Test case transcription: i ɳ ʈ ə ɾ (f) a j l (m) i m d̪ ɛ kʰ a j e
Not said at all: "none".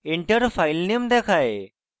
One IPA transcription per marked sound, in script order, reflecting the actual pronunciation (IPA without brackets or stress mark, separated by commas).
f, n